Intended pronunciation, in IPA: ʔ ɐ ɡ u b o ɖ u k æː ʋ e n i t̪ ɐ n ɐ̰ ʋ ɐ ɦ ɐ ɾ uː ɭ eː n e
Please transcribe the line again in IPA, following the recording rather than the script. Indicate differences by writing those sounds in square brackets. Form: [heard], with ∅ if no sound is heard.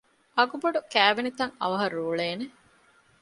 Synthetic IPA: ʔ ɐ ɡ u b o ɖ u k æː ʋ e n i t̪ ɐ [ŋ] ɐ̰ ʋ ɐ ɦ ɐ ɾ uː ɭ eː n e

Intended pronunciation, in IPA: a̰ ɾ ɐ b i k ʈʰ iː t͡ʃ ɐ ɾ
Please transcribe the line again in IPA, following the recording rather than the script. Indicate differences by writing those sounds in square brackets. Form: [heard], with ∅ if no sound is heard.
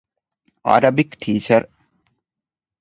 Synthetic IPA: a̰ ɾ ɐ b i k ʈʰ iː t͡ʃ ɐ ɾ

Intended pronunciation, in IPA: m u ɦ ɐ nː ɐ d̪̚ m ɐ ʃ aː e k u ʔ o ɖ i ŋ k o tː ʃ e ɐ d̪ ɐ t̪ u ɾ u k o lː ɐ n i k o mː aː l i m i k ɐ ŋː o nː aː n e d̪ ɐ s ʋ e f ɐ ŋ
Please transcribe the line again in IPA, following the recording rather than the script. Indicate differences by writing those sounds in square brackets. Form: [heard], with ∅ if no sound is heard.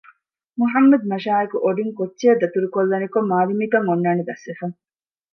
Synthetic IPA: m u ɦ ɐ [mː] ɐ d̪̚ m ɐ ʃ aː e k u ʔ o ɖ i ŋ k o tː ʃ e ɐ d̪ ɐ t̪ u ɾ u k o lː ɐ n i k o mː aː l i m i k ɐ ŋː o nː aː n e d̪ ɐ s ʋ e f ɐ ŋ

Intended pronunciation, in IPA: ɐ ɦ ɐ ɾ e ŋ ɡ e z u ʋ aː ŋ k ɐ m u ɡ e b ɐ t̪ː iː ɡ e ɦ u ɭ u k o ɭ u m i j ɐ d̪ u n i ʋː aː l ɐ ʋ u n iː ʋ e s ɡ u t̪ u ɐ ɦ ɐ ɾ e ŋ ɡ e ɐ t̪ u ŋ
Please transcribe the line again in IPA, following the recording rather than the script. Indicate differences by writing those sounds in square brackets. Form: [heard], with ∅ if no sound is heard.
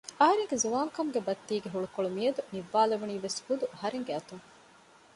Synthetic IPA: ɐ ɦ ɐ ɾ e ŋ ɡ e z u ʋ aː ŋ k ɐ m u ɡ e b ɐ t̪ː iː ɡ e ɦ u ɭ u k o ɭ u m i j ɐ d̪ u n i ʋː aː l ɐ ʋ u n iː ʋ e s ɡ u [d̪] u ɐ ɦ ɐ ɾ e ŋ ɡ e ɐ t̪ u ŋ

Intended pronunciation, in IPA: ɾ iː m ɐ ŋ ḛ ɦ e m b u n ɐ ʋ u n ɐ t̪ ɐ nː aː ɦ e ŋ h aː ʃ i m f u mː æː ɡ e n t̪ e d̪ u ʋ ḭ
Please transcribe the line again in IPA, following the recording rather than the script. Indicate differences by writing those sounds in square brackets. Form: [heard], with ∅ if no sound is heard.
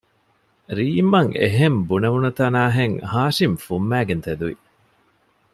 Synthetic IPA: ɾ iː m ɐ ŋ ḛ ɦ e m b u n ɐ ʋ u n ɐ t̪ ɐ [n] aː ɦ e ŋ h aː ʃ i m f u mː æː ɡ e n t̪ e d̪ u ʋ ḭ

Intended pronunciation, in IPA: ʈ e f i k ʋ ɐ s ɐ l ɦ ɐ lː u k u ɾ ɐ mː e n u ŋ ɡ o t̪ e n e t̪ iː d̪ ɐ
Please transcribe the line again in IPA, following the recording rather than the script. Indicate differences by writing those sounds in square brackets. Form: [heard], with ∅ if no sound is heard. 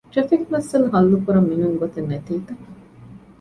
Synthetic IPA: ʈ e f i k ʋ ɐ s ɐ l ɦ ɐ lː u k u ɾ ɐ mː [i] n u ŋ ɡ o t̪ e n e t̪ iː [t̪] ɐ

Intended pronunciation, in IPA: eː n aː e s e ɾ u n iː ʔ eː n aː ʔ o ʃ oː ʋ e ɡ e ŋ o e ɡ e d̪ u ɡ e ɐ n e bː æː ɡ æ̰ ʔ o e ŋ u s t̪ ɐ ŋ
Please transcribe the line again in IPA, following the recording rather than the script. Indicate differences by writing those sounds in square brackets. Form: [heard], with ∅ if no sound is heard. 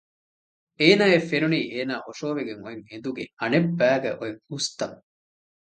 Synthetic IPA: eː n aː e [f] e ɾ u n iː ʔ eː n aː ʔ o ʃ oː ʋ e ɡ e ŋ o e [ŋ] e d̪ u ɡ e ɐ n e bː æː ɡ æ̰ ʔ o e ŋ u s t̪ ɐ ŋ

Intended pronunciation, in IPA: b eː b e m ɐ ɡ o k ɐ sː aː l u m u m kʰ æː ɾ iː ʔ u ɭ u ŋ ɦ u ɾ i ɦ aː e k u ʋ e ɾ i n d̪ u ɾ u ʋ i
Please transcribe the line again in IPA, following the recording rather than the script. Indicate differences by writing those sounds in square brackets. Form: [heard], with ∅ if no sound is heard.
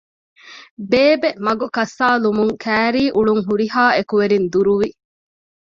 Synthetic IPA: b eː b e m ɐ ɡ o k ɐ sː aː l u m u [ŋ] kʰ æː ɾ iː ʔ u ɭ u ŋ ɦ u ɾ i ɦ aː e k u ʋ e ɾ i n d̪ u ɾ u ʋ i

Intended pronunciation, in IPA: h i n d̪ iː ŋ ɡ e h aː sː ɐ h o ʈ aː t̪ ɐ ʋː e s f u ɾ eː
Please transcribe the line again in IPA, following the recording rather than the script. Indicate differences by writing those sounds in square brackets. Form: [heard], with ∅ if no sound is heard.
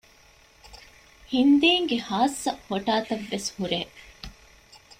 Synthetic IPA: h i n d̪ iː ŋ ɡ e h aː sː ɐ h o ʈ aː t̪ ɐ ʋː e s [h] u ɾ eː

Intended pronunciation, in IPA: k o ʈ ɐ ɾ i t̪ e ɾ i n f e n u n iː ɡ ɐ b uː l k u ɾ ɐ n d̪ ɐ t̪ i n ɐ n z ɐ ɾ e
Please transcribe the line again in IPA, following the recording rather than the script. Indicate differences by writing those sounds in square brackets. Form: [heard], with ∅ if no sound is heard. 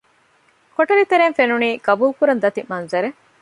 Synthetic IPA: k o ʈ ɐ ɾ i t̪ e ɾ [e] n f e n u n iː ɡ ɐ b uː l k u ɾ ɐ n d̪ ɐ t̪ i [m] ɐ n z ɐ ɾ e

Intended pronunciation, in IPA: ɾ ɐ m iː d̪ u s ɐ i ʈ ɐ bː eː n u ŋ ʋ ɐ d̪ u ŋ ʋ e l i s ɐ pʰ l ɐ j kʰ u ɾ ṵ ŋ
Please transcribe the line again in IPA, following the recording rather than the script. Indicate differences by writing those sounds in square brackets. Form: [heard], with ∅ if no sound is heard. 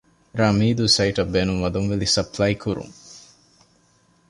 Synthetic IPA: ɾ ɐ m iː d̪ u s ɐ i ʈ ɐ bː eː n u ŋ ʋ ɐ d̪ u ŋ ʋ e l i s ɐ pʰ l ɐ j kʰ u ɾ ṵ ŋ

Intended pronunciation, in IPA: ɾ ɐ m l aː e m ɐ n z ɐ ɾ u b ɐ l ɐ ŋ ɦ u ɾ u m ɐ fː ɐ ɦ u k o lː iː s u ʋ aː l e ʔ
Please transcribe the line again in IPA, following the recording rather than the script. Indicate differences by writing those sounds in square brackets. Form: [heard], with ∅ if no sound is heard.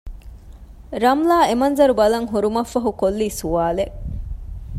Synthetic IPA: ɾ ɐ m l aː e m ɐ n z ɐ ɾ u b ɐ l ɐ ŋ ɦ u ɾ u m ɐ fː ɐ ɦ u k o lː iː s u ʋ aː l e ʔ

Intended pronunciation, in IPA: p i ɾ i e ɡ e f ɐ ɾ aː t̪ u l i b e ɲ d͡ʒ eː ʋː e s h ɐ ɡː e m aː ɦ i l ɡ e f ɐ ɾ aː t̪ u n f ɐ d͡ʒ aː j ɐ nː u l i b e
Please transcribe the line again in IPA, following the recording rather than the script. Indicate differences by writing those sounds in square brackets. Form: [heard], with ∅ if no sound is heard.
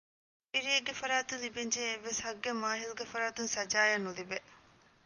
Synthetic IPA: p i ɾ i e ɡ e f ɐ ɾ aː t̪ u l i b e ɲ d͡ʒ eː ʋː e s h ɐ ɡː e m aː ɦ i l ɡ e f ɐ ɾ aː t̪ u n [s] ɐ d͡ʒ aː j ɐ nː u l i b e

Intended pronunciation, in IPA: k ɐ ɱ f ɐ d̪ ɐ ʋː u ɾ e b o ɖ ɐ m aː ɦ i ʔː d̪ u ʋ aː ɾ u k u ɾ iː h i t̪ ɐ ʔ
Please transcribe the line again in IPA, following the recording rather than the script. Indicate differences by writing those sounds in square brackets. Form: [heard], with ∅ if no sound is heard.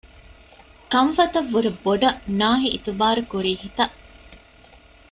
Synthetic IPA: k ɐ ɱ f ɐ [t̪] ɐ ʋː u ɾ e b o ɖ ɐ [n] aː ɦ i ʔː [t̪] u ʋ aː ɾ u k u ɾ iː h i t̪ ɐ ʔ

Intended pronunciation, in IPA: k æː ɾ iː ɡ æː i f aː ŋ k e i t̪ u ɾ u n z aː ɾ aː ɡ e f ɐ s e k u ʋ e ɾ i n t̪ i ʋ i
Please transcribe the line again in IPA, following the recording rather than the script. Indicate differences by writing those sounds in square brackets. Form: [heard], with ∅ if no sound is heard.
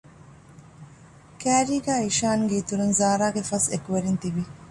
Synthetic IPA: k æː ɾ iː ɡ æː i [ʃ] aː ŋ [ɡ] e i t̪ u ɾ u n z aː ɾ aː ɡ e f ɐ s e k u ʋ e ɾ i n t̪ i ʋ i

